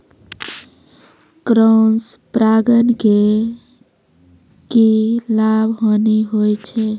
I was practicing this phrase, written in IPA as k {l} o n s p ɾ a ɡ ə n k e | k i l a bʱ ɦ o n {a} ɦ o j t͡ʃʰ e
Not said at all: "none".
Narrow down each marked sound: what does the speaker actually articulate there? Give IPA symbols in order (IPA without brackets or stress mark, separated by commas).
ɾ, i